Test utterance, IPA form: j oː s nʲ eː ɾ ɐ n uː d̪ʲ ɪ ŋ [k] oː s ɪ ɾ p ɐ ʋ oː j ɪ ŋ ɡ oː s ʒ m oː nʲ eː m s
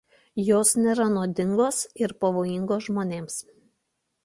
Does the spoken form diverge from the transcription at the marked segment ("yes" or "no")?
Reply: yes